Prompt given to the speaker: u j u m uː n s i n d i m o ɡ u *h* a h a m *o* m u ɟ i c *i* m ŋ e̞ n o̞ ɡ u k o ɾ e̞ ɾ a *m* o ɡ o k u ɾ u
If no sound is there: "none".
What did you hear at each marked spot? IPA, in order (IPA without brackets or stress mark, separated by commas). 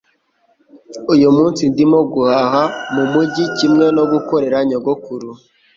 h, u, i, ɲ